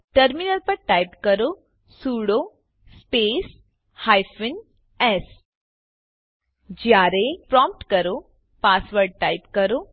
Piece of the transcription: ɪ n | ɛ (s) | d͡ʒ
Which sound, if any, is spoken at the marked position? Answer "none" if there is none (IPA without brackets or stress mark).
s